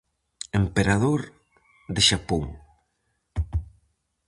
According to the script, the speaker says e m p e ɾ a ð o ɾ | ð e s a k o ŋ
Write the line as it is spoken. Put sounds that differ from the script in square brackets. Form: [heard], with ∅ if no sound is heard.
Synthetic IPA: e m p e ɾ a ð o ɾ | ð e [ʃ] a [p] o ŋ

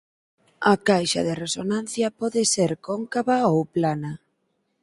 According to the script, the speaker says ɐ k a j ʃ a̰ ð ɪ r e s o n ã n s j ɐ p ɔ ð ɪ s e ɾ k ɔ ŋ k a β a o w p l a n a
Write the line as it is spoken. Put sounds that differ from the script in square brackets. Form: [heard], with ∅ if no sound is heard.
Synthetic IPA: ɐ k a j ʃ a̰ ð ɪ r e s o n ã n [θ] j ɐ p ɔ ð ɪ s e ɾ k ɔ ŋ k a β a o w p l a n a

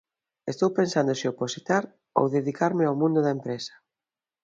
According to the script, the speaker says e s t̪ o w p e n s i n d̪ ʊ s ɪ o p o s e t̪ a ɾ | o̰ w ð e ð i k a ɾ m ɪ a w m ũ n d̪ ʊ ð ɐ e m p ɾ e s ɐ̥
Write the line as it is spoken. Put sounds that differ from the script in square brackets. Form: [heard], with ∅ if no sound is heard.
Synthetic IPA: e s t̪ o w p e n s [a] n d̪ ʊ s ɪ o p o s [i] t̪ a ɾ | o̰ w ð e ð i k a ɾ m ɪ a w m ũ n d̪ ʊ ð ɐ e m p ɾ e s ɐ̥

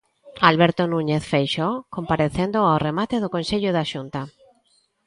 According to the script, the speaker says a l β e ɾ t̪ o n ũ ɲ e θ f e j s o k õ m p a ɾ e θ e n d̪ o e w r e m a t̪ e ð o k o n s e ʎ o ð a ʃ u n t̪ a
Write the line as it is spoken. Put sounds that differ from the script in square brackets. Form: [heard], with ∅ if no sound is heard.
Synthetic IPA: a l β e ɾ t̪ o n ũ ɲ e θ f e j [ʃ] o k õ m p a ɾ e θ e n d̪ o [a] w r e m a t̪ e ð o k o n s e ʎ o ð a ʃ u n t̪ a

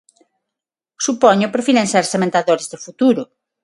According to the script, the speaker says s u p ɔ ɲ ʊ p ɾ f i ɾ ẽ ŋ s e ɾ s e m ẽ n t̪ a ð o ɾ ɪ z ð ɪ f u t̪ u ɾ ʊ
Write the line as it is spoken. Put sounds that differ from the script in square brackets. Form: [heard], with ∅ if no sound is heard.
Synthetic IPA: s u p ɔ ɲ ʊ p ɾ f i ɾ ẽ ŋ s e ɾ s e m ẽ n t̪ a ð o ɾ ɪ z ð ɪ f u t̪ u ɾ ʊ

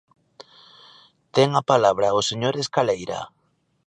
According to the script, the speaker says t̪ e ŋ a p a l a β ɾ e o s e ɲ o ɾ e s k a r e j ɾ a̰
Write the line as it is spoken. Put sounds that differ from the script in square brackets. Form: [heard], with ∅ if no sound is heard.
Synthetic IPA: t̪ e ŋ a p a l a β ɾ [a] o s e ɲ o ɾ e s k a [l] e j ɾ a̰

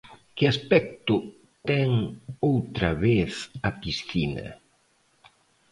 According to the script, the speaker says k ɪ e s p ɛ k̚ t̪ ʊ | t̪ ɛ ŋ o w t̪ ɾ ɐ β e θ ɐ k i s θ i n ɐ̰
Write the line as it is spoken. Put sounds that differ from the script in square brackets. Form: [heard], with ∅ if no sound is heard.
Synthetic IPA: k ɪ [a] s p ɛ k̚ t̪ ʊ | t̪ ɛ ŋ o w t̪ ɾ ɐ β e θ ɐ [p] i s θ i n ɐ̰

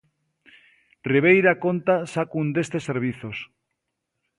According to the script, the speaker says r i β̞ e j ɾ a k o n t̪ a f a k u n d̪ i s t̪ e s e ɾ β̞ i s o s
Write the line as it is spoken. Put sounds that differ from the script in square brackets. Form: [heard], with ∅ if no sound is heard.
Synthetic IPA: r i β̞ e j ɾ a k o n t̪ a [s] a k u n d̪ [e] s t̪ e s e ɾ β̞ i [θ] o s

